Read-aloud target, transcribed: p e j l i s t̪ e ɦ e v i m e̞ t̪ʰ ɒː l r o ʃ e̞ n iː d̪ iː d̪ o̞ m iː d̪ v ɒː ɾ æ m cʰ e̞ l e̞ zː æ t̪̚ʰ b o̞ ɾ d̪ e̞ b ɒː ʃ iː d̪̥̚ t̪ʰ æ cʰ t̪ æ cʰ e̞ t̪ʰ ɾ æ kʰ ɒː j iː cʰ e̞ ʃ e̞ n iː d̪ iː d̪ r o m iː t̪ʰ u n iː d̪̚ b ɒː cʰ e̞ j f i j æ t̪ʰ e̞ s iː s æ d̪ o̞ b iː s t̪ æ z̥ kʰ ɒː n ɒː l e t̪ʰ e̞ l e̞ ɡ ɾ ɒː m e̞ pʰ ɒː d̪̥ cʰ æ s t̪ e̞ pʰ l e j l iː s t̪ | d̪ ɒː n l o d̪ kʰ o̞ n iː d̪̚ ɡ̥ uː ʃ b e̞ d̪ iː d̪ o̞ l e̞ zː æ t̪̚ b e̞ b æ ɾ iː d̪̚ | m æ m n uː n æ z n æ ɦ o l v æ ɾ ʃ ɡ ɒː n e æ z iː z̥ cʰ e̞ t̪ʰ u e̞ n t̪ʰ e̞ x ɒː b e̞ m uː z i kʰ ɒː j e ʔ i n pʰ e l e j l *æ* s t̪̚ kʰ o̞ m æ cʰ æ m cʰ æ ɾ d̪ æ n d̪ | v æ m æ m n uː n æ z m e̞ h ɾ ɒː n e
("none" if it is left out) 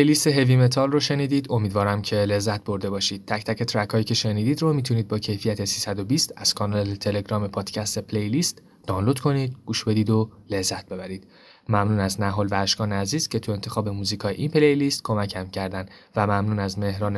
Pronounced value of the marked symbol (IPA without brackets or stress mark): i